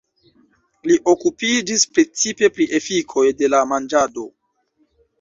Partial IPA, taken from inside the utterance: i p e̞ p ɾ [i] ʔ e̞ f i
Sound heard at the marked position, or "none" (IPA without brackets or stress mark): i